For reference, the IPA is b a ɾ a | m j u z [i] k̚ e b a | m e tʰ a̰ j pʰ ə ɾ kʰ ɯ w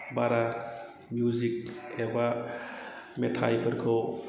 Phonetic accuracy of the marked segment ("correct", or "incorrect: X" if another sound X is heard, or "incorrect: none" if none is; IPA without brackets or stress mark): correct